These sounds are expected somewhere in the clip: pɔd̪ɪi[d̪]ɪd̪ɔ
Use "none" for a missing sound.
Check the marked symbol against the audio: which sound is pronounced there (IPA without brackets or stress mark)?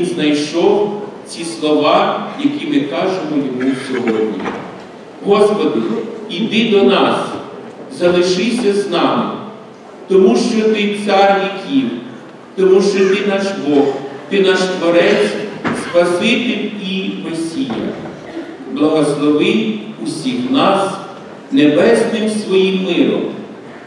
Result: d̪